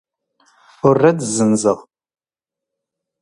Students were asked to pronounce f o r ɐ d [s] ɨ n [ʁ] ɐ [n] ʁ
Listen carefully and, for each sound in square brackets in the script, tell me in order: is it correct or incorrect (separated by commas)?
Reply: incorrect, incorrect, incorrect